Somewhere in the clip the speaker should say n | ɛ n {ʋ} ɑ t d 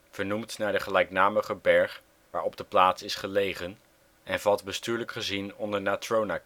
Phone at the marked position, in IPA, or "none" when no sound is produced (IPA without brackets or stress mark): v